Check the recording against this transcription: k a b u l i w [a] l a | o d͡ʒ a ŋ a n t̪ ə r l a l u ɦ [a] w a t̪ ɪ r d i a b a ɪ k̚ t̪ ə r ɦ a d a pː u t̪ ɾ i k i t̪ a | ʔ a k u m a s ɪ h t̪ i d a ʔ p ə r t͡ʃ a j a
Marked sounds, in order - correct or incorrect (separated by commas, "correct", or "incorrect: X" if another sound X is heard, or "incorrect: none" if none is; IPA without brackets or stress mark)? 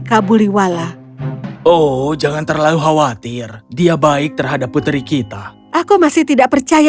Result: correct, correct